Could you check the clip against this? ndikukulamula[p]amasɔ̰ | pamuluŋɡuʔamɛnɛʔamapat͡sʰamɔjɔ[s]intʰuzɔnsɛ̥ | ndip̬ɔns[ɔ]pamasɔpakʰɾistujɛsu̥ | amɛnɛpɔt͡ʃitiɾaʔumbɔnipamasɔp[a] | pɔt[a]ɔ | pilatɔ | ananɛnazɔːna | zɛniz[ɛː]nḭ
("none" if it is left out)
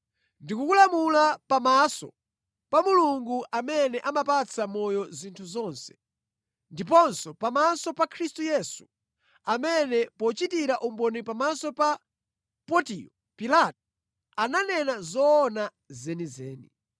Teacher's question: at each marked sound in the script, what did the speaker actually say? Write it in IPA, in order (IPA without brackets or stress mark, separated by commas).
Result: p, z, ɔ, a, i, ɛː